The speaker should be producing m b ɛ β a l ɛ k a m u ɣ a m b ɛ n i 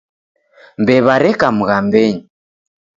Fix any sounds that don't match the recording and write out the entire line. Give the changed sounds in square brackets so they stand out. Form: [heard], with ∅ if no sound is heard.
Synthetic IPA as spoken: m b ɛ β a [ɾ] ɛ k a m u ɣ a m b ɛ [ɲ] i